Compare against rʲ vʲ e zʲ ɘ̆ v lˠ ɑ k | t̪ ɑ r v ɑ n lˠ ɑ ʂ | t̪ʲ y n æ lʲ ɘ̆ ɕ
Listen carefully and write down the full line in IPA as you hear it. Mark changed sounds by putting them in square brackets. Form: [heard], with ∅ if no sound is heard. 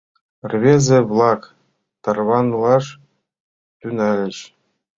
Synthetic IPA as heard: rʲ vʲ e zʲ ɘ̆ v lˠ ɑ k | t̪ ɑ r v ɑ n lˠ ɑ ʂ | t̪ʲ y n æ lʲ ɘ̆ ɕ